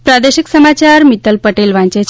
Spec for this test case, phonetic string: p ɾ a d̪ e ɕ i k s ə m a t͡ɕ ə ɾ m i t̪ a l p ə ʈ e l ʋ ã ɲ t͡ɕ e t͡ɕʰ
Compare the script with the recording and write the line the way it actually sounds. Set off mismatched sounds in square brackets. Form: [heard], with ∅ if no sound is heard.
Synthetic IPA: p ɾ a d̪ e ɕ i k s ə m a t͡ɕ [a] ɾ m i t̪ [ə] l p ə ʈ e l ʋ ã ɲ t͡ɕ e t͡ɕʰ